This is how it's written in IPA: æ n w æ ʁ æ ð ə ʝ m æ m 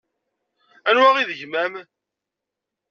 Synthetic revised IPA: æ n w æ ʁ i ð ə ʝ m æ m